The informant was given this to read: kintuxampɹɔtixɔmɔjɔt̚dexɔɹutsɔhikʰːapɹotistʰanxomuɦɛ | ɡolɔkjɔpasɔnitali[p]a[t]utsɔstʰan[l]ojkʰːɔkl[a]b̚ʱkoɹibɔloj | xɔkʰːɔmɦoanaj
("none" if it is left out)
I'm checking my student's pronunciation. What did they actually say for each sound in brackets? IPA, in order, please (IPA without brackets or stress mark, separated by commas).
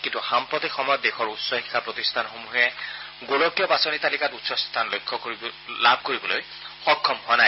k, t, l, a